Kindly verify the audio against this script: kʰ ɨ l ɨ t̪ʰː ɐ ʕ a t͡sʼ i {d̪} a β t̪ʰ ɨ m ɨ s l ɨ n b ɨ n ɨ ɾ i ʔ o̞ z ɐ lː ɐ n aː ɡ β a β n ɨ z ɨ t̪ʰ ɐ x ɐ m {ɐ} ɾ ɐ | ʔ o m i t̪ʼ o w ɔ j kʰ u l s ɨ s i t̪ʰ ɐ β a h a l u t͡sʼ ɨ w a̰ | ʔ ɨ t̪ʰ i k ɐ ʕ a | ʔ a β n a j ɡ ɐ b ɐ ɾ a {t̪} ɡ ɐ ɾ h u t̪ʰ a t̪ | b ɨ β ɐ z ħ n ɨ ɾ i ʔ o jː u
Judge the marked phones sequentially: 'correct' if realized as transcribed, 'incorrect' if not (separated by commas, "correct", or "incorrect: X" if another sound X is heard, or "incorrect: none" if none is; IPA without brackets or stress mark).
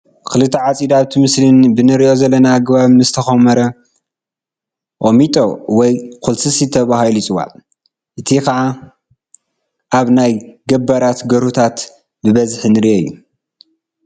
correct, correct, correct